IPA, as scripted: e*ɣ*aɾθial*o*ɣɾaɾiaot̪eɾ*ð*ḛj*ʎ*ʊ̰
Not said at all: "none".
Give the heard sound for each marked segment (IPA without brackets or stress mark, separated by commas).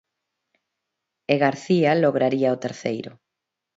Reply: ɣ, o, θ, ɾ